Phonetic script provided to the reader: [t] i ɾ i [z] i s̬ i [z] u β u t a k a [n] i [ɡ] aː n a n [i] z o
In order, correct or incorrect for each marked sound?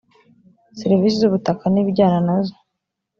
incorrect, incorrect, correct, correct, incorrect, incorrect

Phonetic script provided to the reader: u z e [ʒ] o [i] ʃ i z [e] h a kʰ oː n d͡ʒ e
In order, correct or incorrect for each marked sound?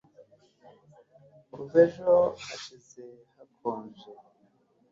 correct, incorrect, correct

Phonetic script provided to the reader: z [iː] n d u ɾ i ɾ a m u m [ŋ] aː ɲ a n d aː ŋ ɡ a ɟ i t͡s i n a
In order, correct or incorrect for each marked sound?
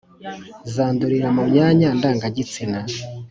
incorrect, incorrect

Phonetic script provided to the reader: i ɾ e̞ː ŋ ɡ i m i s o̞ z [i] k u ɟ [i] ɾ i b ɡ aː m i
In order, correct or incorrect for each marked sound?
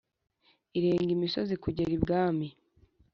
correct, incorrect

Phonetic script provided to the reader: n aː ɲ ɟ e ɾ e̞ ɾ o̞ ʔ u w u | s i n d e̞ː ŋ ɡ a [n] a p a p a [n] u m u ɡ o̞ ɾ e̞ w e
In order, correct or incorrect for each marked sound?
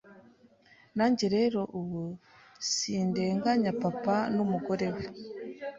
incorrect, correct

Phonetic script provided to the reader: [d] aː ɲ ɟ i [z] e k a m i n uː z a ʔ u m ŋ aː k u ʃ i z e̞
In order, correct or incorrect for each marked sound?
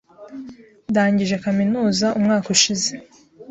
correct, incorrect

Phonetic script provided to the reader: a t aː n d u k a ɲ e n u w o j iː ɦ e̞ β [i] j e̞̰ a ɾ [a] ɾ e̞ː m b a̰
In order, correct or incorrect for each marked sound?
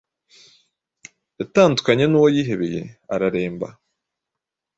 incorrect, correct

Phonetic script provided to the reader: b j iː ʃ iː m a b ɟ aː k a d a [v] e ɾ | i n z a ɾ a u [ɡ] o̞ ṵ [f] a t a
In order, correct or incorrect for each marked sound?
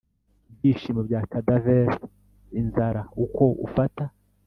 correct, incorrect, correct

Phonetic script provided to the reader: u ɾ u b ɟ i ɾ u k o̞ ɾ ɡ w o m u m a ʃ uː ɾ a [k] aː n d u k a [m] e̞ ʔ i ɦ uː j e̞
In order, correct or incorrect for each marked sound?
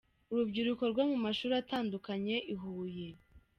incorrect, incorrect

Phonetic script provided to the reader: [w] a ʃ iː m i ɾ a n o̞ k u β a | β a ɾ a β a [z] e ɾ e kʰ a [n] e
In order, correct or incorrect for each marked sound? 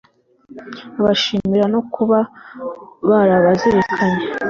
incorrect, correct, incorrect

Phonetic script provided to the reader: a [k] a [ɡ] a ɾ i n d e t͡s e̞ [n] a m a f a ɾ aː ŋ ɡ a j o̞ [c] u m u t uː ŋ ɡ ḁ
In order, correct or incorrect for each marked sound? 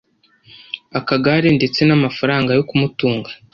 correct, correct, correct, incorrect

